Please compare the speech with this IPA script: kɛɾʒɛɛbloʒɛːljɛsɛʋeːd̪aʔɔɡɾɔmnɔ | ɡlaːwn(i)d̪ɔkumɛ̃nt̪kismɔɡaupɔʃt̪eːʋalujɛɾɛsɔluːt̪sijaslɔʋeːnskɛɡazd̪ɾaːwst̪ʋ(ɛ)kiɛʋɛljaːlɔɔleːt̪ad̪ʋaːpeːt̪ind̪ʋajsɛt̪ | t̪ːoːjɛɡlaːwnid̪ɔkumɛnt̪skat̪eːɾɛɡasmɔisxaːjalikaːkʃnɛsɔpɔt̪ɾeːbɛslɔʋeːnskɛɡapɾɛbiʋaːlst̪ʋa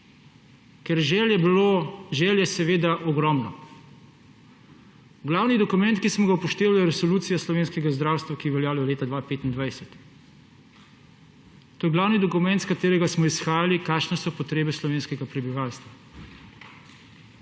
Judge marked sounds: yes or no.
yes, no

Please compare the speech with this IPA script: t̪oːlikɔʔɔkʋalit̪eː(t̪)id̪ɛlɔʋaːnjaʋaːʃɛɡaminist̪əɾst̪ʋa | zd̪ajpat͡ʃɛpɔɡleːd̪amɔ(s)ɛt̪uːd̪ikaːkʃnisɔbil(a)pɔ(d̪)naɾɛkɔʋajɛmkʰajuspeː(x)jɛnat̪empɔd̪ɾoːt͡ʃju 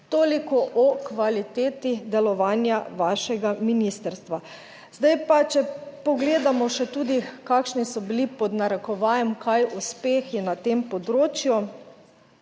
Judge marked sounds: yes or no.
yes, no, no, yes, yes

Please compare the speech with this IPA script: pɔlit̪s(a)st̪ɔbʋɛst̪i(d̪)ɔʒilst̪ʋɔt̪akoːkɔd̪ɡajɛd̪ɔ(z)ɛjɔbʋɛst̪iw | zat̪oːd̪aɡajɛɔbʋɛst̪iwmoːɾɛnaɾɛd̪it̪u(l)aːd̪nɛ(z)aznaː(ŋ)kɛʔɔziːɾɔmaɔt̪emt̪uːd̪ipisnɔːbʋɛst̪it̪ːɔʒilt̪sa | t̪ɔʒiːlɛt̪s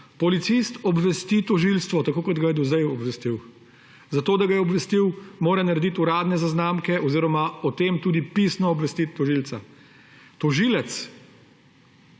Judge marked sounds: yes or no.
no, no, yes, no, yes, no

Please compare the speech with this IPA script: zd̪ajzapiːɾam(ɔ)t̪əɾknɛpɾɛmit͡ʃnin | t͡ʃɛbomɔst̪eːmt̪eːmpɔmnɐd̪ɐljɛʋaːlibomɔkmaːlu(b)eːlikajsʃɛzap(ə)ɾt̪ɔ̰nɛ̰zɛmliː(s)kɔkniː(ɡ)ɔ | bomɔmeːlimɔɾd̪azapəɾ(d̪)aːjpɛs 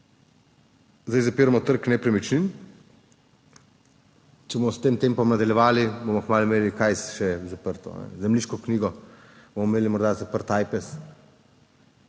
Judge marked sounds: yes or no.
yes, no, yes, no, yes, no

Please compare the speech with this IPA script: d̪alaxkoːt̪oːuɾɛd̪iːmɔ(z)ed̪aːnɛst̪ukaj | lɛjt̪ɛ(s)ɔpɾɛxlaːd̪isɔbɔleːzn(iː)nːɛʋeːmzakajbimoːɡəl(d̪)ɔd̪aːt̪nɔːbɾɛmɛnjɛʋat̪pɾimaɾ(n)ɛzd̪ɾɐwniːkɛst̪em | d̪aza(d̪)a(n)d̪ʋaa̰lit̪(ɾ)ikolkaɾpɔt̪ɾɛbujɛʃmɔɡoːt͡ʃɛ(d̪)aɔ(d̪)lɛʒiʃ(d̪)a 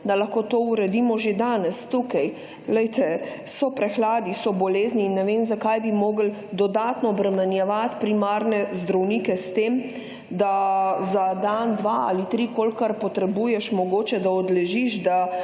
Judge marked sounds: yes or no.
no, yes, yes, yes, yes, yes, yes, yes, yes, yes, yes

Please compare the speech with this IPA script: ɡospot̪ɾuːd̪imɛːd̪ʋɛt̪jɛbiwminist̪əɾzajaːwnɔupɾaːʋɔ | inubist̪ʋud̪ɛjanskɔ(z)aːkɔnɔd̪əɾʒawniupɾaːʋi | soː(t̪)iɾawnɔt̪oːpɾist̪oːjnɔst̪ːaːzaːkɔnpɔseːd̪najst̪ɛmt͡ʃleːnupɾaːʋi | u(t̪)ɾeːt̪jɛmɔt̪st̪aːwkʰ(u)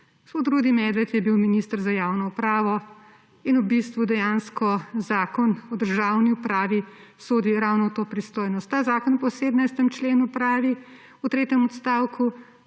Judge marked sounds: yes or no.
yes, no, yes, yes

